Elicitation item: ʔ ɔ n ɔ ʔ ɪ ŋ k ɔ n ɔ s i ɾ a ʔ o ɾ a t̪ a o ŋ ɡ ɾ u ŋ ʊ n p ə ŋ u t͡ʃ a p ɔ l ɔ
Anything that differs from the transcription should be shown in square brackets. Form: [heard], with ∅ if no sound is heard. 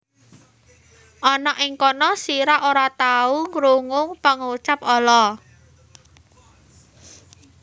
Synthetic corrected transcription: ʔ ɔ n ɔ ʔ ɪ ŋ k ɔ n ɔ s i ɾ a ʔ o ɾ a t̪ a [u] ŋ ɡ ɾ u ŋ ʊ [ŋ] p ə ŋ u t͡ʃ a p ɔ l ɔ